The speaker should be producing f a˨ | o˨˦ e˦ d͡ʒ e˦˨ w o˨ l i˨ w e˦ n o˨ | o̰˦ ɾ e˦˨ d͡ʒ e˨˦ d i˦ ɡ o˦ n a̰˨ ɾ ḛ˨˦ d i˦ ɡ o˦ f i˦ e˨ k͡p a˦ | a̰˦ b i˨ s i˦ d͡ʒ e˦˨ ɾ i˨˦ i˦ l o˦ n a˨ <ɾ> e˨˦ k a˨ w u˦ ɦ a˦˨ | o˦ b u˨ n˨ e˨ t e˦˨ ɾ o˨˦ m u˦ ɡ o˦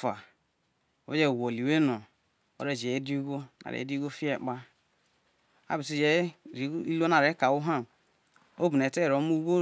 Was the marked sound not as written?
no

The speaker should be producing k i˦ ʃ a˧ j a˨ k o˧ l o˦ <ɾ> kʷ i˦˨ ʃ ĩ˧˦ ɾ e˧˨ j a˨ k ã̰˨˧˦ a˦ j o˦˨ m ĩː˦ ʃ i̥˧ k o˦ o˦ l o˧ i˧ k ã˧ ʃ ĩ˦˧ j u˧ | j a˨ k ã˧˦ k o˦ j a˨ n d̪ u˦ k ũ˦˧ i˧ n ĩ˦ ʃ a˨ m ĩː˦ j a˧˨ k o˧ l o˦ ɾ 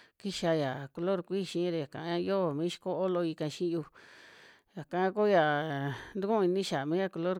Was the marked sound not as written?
no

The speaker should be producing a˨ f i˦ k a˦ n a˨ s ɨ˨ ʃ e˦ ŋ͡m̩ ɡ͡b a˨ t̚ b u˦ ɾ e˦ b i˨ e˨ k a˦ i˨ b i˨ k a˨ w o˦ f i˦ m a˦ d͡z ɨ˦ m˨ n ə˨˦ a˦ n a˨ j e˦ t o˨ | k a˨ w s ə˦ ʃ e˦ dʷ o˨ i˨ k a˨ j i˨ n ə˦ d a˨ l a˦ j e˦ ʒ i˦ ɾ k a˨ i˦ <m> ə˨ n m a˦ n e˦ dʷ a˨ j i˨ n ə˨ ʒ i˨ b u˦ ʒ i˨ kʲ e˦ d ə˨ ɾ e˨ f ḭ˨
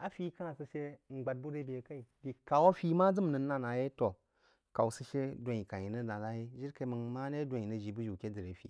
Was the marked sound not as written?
no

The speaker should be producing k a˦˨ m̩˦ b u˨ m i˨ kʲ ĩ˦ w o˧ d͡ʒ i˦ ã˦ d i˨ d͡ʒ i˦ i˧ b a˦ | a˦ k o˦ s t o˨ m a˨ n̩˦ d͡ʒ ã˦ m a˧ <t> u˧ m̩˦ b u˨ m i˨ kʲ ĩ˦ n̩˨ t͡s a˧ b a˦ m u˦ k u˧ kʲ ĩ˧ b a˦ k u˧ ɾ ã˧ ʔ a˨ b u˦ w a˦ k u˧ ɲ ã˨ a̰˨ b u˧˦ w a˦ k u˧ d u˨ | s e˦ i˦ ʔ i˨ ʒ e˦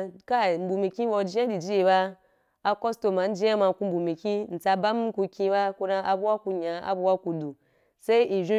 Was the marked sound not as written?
yes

